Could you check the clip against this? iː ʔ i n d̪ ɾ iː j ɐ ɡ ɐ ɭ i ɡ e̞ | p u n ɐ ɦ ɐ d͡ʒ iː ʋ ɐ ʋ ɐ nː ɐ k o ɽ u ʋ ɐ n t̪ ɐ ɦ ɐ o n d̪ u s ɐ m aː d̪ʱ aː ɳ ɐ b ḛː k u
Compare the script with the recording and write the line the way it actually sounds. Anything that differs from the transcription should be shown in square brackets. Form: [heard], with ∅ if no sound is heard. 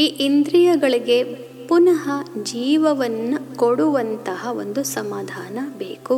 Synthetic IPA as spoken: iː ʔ i n d̪ ɾ [i] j ɐ ɡ ɐ ɭ i ɡ e̞ | p u n ɐ ɦ ɐ d͡ʒ iː ʋ ɐ ʋ ɐ nː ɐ k o ɽ u ʋ ɐ n t̪ ɐ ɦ ɐ o n d̪ u s ɐ m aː d̪ʱ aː [n] ɐ b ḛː k u